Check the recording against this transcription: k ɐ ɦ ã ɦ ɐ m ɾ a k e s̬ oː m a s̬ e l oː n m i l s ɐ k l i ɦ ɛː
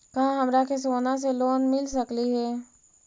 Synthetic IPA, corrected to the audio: k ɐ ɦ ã ɦ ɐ m ɾ a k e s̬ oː n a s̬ e l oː n m ɪ l s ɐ k l i ɦ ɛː